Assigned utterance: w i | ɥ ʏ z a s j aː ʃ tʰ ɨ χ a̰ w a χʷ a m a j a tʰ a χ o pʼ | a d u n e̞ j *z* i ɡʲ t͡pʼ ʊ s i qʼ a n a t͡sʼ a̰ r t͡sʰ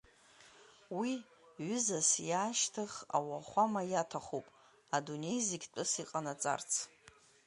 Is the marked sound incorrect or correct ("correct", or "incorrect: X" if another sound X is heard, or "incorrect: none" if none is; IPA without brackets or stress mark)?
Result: correct